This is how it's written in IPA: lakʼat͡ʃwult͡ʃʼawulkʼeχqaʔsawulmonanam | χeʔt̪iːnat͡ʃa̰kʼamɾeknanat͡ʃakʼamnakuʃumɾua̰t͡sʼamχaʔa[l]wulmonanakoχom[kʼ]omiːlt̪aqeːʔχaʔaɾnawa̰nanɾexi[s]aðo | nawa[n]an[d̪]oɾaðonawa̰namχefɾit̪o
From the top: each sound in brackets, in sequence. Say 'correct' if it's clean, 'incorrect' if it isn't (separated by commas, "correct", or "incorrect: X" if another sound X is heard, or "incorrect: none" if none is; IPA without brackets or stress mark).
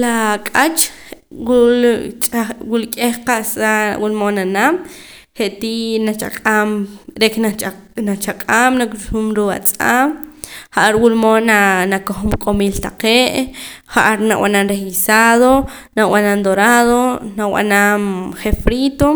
incorrect: ɾ, correct, correct, correct, correct